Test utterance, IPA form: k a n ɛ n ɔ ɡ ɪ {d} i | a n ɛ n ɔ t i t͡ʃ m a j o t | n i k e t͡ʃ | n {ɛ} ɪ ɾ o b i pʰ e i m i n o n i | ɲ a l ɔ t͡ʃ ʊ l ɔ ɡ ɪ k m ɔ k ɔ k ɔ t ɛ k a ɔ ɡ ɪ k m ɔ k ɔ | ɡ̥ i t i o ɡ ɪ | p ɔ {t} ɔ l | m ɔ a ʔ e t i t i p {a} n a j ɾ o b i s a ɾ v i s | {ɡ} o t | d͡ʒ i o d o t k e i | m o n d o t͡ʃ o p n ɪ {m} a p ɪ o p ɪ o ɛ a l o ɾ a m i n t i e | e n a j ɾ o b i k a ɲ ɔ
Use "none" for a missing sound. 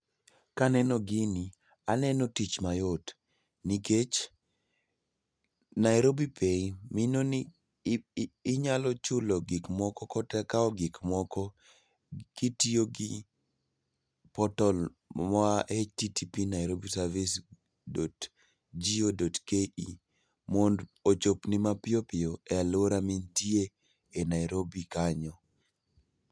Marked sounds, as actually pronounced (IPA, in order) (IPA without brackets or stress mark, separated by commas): n, a, t, i, d, m